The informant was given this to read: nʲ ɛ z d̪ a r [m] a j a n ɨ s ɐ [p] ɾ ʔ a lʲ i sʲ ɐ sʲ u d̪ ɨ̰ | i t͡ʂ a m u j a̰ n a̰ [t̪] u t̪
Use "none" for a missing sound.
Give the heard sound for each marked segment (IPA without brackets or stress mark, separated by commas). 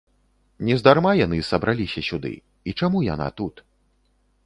m, b, t̪